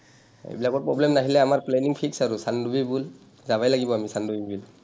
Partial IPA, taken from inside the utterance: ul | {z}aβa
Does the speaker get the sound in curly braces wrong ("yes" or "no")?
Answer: no